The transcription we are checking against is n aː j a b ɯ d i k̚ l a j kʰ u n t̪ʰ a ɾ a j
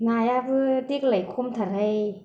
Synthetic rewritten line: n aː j a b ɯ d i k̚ l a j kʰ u m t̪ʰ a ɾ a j